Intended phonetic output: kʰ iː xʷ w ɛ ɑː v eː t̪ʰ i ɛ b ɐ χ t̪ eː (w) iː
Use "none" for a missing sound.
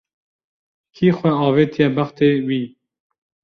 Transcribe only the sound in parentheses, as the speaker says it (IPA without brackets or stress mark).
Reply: w